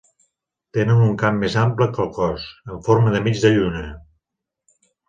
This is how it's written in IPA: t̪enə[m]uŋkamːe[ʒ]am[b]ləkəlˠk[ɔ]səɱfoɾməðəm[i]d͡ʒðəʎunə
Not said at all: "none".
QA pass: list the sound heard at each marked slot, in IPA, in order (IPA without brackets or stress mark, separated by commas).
n, z, p, ɔ, i